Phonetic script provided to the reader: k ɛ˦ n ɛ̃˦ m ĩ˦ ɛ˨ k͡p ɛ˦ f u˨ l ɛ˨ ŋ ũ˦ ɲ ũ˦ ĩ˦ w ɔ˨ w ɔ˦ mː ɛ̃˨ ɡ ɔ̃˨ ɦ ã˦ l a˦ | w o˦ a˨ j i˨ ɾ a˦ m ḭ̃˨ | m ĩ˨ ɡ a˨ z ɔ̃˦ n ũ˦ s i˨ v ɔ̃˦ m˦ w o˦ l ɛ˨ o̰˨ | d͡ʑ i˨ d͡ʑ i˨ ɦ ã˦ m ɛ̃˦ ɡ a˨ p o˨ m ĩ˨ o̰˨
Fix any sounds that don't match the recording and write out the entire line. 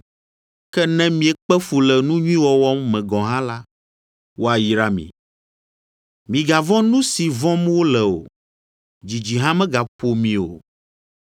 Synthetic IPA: k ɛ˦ n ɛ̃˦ m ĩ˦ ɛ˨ k͡p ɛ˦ f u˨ l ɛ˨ n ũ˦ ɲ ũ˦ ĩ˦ w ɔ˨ w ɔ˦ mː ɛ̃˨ ɡ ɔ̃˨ ɦ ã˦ l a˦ | w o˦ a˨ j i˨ ɾ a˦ m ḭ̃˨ | m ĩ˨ ɡ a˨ v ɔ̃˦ n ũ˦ s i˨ v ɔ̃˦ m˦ w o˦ l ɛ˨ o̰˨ | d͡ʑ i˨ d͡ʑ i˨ ɦ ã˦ m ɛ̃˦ ɡ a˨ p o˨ m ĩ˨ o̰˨